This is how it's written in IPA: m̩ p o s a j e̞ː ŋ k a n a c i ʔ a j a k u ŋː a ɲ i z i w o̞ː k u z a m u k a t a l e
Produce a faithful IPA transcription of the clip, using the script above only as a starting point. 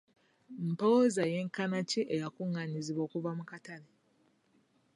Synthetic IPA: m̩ p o z a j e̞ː ŋ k a n a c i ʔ e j a k u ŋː a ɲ i z i β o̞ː k u v a m u k a t a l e